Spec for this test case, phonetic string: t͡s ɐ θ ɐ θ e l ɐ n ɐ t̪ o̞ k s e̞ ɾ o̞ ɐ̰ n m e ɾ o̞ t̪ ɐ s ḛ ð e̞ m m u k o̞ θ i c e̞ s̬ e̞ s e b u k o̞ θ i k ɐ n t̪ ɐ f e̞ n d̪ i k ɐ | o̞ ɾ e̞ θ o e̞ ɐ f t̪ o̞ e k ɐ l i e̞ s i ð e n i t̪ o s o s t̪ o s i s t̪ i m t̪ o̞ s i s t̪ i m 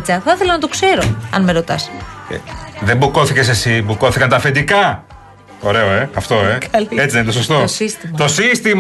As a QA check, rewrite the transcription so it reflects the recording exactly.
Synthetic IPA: t͡s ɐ θ ɐ θ e l ɐ n ɐ t̪ o̞ k s e̞ ɾ o̞ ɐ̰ n m e ɾ o̞ t̪ ɐ s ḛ ð e̞ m b u k o̞ θ i c e̞ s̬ e̞ s i b u k o̞ θ i k ɐ n t̪ ɐ f e̞ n d̪ i k ɐ | o̞ ɾ e̞ o e̞ ɐ f t̪ o̞ e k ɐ l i e̞ t͡s i ð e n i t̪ o s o s t̪ o s i s t̪ i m t̪ o̞ s i s t̪ i m